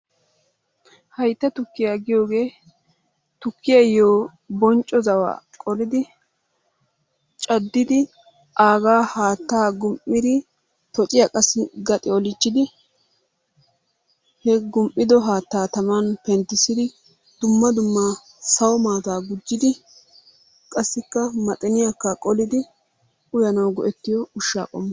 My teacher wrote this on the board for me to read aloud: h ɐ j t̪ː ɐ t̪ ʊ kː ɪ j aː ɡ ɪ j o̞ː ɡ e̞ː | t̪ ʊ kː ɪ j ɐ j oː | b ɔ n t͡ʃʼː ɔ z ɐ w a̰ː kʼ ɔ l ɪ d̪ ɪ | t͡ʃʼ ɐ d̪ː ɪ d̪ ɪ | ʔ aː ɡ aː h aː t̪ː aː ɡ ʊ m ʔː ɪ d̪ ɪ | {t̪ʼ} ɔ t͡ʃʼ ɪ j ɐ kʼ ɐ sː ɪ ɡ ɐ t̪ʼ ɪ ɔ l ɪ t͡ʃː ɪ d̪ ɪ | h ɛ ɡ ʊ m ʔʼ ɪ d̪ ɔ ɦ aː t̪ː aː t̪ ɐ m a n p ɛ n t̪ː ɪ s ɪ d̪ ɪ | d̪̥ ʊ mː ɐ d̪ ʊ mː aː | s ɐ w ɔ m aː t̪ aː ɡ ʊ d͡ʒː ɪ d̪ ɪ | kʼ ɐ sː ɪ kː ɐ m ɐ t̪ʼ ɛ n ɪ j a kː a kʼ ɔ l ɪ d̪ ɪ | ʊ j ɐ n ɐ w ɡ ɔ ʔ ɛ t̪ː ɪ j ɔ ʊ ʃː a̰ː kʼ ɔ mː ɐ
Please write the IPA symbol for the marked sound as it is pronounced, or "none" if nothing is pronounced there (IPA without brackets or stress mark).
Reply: t̪